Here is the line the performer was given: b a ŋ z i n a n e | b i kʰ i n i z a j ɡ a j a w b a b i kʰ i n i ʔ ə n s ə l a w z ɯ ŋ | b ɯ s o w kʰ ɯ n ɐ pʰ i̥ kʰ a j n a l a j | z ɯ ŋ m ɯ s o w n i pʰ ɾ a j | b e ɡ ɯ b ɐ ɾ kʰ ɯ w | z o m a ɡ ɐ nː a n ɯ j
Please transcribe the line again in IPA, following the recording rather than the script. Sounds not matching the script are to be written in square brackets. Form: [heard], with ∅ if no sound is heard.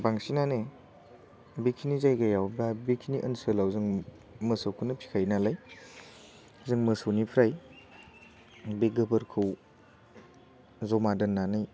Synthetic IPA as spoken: b a ŋ [s] i n a n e | b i kʰ i n i z a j ɡ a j a w b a b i kʰ i n i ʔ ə n s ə l a w z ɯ ŋ | [m] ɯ s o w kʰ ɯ n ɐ pʰ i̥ kʰ a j n a l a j | z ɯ ŋ m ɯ s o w n i pʰ ɾ a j | b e ɡ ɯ b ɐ ɾ kʰ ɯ w | z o m a [d] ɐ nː a n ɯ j